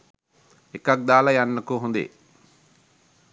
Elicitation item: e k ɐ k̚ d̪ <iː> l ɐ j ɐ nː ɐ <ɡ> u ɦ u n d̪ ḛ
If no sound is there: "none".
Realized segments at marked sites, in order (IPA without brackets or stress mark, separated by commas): aː, k